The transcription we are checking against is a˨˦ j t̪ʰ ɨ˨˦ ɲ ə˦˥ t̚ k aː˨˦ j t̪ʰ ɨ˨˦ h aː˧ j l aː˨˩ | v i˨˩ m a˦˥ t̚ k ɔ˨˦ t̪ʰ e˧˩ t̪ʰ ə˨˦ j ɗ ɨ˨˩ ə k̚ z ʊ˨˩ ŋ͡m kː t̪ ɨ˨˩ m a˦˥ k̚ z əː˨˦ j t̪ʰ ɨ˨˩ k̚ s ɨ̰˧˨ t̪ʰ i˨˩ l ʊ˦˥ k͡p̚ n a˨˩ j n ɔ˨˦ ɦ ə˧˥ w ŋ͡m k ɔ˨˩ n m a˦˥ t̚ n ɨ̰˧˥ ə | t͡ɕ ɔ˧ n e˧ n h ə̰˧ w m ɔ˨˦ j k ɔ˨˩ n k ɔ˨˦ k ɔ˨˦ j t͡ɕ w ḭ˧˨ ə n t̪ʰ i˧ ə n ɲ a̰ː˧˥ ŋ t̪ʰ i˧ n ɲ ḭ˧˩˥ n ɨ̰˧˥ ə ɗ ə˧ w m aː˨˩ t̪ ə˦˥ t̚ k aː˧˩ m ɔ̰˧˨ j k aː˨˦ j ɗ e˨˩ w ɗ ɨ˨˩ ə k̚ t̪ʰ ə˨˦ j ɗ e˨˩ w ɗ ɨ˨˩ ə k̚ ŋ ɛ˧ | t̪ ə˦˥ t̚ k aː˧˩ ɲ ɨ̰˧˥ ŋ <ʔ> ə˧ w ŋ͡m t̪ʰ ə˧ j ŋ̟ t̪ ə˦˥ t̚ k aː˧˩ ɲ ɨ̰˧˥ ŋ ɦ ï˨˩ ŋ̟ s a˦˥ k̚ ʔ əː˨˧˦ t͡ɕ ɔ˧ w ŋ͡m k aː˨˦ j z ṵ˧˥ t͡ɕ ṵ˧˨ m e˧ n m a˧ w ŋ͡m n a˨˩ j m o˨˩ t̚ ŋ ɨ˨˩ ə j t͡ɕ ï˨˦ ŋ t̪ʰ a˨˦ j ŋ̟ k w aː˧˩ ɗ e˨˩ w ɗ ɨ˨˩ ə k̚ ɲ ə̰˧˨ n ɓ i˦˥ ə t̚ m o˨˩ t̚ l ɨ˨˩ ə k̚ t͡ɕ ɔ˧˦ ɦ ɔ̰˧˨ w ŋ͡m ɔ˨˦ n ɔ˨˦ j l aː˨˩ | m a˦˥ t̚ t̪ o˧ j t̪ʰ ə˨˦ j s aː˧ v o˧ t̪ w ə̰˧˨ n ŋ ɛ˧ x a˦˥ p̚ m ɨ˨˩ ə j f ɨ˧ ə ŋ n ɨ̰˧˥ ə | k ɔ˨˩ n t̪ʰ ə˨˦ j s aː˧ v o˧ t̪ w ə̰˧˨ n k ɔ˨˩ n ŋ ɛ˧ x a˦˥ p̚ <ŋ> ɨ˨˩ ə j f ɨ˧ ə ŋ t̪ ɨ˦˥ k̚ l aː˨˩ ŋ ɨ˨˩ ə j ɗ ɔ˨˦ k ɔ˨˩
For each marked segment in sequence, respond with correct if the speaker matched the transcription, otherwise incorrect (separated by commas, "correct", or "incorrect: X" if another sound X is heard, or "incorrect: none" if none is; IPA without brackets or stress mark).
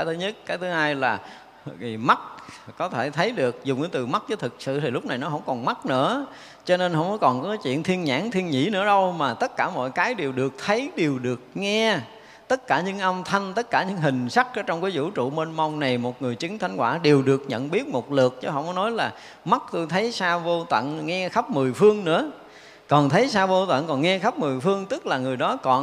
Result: correct, incorrect: m